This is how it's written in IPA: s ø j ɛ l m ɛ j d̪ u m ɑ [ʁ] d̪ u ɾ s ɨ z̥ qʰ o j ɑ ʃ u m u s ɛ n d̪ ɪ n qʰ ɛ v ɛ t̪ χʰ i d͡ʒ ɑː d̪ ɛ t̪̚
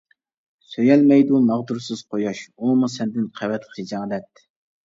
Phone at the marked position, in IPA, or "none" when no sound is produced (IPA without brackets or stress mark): ʁ